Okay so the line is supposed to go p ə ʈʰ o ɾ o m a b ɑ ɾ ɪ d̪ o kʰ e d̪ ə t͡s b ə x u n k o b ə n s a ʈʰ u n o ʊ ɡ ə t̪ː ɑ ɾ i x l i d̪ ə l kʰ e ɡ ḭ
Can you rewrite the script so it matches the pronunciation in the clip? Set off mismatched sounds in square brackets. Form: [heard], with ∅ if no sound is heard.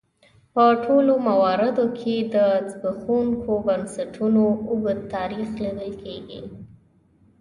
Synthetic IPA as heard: p ə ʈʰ o [l] o m a [w] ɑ ɾ ɪ d̪ o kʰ e d̪ ə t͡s b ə x u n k o b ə n s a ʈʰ u n o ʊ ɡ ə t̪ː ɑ ɾ i x l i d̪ ə l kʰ e ɡ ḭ